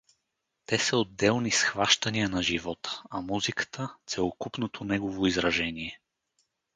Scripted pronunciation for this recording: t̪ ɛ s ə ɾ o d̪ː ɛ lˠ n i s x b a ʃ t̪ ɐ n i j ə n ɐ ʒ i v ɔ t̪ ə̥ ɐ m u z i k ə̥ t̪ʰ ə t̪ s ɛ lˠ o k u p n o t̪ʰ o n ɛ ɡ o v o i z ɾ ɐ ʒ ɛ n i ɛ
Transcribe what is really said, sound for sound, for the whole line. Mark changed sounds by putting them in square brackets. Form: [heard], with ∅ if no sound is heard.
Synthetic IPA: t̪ ɛ s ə [∅] o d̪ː ɛ lˠ n i s x [v] a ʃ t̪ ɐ n i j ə n ɐ ʒ i v ɔ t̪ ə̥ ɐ m u z i k ə̥ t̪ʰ ə t̪ s ɛ lˠ o k u p n o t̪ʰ o n ɛ ɡ o v o i z ɾ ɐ ʒ ɛ n i ɛ

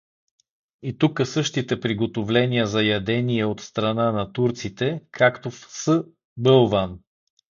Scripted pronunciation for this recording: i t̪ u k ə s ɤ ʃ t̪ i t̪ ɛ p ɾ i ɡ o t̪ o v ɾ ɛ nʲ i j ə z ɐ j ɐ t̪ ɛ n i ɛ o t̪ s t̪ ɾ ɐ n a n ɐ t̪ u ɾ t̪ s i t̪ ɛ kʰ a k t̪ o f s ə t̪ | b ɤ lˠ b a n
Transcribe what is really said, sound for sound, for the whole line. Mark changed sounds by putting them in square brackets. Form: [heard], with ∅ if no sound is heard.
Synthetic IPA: i t̪ u k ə s ɤ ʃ t̪ i t̪ ɛ p ɾ i ɡ o t̪ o v [l] ɛ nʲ i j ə z ɐ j ɐ [d̪] ɛ n i ɛ o t̪ s t̪ ɾ ɐ n a n ɐ t̪ u ɾ t̪ s i t̪ ɛ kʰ a k t̪ o f s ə [∅] | b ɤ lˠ [v] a n

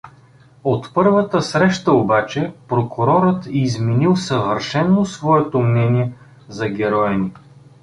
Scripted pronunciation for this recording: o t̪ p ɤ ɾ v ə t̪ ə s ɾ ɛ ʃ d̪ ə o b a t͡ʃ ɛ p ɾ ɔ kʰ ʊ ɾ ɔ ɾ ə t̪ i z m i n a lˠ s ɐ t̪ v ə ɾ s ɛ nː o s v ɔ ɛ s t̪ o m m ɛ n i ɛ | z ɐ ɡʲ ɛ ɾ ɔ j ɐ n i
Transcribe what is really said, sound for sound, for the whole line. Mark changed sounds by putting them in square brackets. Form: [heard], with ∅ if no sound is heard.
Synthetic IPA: o t̪ p ɤ ɾ v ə t̪ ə s ɾ ɛ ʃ [t̪] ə o b a t͡ʃ ɛ p ɾ [o] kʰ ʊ ɾ ɔ ɾ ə t̪ i z m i n [i] lˠ s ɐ [∅] v ə ɾ [ʃ] ɛ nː o s v ɔ ɛ [∅] t̪ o m [n] ɛ n i ɛ | z ɐ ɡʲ ɛ ɾ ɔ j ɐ n i

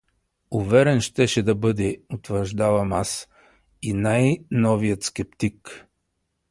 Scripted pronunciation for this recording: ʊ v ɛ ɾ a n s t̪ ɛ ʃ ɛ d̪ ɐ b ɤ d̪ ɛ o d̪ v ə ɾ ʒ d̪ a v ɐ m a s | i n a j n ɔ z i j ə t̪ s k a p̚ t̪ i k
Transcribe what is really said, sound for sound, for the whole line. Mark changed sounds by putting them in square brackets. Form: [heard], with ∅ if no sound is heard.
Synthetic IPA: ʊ v ɛ ɾ [ɛ] n [ʃ] t̪ ɛ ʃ ɛ d̪ ɐ b ɤ d̪ ɛ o [t̪] v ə ɾ ʒ d̪ a v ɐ m a s | i n a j n ɔ [v] i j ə t̪ s k [ɛ] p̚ t̪ i k

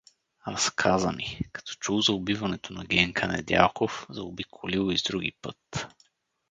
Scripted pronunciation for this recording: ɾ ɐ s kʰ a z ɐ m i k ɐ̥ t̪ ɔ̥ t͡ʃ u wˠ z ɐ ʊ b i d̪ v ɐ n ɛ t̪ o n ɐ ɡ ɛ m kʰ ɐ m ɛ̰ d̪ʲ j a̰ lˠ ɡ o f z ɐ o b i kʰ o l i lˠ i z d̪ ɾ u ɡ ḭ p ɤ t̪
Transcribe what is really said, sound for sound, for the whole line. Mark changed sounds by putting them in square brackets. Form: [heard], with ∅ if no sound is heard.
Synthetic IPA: ɾ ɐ s kʰ a z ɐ m i k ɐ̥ t̪ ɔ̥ t͡ʃ u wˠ z ɐ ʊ b i [∅] v ɐ n ɛ t̪ o n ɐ ɡ ɛ [ŋ] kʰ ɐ [n] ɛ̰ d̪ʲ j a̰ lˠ [k] o f z ɐ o b i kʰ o l i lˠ i z d̪ ɾ u ɡ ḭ p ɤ t̪

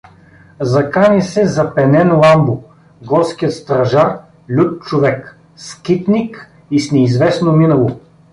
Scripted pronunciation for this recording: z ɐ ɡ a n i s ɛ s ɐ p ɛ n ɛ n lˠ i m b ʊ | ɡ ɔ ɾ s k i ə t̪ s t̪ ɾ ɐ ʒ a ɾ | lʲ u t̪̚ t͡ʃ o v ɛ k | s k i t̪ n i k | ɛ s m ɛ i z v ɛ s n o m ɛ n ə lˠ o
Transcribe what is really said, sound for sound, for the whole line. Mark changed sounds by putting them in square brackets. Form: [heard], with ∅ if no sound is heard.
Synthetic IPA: z ɐ [k] a n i s ɛ [z] ɐ p ɛ n ɛ n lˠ [a] m b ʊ | ɡ ɔ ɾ s k i ə t̪ s t̪ ɾ ɐ ʒ a ɾ | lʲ u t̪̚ t͡ʃ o v ɛ k | s k i t̪ n i k | [i] s [n] ɛ i z v ɛ s n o m [i] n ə lˠ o

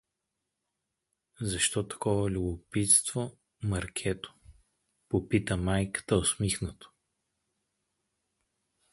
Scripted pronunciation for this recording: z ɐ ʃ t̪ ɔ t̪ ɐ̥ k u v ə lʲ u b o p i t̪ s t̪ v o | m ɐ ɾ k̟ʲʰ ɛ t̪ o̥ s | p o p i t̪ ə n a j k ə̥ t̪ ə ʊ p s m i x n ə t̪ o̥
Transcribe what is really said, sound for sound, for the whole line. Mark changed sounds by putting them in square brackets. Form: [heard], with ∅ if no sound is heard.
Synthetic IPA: z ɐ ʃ t̪ ɔ t̪ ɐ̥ k [ɔ] v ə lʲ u b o p i t̪ s t̪ v o | m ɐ ɾ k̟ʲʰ ɛ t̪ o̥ [∅] | p o p i t̪ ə [m] a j k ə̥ t̪ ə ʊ [∅] s m i x n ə t̪ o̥

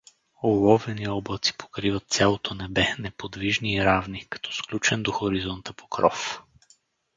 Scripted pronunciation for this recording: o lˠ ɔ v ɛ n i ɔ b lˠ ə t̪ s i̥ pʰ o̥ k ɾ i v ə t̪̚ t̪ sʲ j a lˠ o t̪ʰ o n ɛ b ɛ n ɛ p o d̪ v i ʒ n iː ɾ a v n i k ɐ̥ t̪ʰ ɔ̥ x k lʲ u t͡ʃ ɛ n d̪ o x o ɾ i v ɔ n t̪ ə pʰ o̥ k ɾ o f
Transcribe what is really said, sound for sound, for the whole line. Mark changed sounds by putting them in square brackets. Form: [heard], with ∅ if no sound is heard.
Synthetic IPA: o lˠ ɔ v ɛ n i ɔ b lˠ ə t̪ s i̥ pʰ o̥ k ɾ i v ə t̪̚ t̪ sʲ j a lˠ o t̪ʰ o n ɛ b ɛ n ɛ p o d̪ v i ʒ n iː ɾ a v n i k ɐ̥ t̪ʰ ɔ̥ [s] k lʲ u t͡ʃ ɛ n d̪ o x o ɾ i [z] ɔ n t̪ ə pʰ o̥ k ɾ [ɔ] f

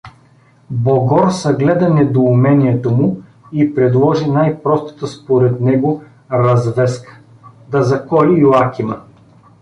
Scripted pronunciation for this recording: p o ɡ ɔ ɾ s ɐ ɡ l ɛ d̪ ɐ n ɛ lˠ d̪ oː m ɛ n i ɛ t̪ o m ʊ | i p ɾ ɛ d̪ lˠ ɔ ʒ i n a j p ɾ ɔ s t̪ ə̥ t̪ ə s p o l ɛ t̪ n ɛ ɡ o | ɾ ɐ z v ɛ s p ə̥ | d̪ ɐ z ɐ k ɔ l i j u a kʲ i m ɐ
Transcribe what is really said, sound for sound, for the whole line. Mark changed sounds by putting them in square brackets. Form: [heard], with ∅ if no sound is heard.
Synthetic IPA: [b] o ɡ ɔ ɾ s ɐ ɡ l ɛ d̪ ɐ n ɛ [∅] d̪ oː m ɛ n i ɛ t̪ o m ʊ | i p ɾ ɛ d̪ lˠ ɔ ʒ i n a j p ɾ ɔ s t̪ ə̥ t̪ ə s p o [ɾ] ɛ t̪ n ɛ ɡ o | ɾ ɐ z v ɛ s [k] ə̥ | d̪ ɐ z ɐ k ɔ l i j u a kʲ i m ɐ

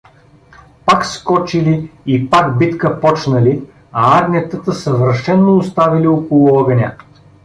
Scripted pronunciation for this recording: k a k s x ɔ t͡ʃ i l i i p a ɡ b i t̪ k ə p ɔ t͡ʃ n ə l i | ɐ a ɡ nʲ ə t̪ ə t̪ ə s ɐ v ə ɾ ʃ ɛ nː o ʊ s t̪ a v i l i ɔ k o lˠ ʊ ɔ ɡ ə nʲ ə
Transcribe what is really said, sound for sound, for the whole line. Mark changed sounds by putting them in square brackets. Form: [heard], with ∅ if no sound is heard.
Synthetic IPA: [p] a k s [k] ɔ t͡ʃ i l i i p a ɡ b i t̪ k ə p ɔ t͡ʃ n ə l i | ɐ a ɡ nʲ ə t̪ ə t̪ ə s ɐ v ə ɾ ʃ ɛ nː o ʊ s t̪ a v i l i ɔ k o lˠ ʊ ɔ ɡ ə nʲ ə

